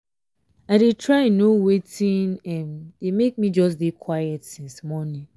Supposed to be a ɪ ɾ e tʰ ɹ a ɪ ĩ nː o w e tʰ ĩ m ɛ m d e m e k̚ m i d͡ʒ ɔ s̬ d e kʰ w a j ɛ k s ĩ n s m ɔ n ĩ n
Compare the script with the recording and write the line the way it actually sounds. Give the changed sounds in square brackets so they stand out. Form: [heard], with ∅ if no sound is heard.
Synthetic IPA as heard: a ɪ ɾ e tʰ ɹ a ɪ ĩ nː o w e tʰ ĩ [n] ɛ m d e m e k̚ m i d͡ʒ ɔ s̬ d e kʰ w a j ɛ [t] s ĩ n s m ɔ n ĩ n